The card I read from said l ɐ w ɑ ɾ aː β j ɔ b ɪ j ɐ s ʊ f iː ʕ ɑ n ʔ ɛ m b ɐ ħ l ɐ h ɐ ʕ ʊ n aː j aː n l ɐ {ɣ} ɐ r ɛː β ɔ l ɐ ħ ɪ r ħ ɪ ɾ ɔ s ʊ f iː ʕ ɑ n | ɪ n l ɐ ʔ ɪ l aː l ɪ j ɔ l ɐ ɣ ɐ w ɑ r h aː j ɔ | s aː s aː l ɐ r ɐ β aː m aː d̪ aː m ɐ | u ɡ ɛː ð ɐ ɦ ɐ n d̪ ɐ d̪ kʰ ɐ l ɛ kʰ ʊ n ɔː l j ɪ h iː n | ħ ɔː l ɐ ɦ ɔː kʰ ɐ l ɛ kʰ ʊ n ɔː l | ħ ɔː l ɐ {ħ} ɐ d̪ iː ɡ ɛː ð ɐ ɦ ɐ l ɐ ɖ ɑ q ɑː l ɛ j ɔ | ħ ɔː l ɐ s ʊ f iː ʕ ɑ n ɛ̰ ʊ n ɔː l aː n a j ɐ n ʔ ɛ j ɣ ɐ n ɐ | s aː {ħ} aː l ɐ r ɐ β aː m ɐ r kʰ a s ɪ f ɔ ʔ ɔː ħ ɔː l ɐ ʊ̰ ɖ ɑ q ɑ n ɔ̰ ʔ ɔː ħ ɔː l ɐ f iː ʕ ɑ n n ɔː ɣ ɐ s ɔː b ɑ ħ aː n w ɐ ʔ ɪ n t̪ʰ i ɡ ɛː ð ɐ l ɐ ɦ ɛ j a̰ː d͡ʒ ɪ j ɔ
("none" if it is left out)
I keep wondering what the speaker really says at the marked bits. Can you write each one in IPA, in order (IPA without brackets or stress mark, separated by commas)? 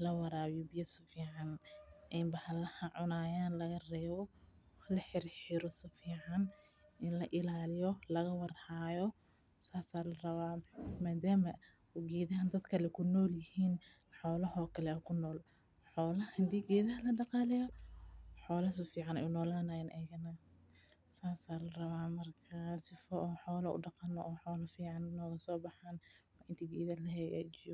ɣ, h, s